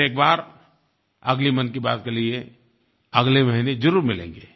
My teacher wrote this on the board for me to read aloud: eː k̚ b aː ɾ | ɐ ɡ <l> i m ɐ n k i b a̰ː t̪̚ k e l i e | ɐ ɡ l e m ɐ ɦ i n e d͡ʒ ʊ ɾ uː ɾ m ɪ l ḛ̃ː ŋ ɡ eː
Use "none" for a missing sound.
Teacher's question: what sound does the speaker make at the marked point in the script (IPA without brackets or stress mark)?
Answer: l